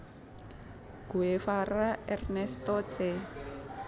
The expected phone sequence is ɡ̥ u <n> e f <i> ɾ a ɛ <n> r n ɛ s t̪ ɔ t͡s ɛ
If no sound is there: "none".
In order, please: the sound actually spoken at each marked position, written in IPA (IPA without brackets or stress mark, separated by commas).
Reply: none, a, none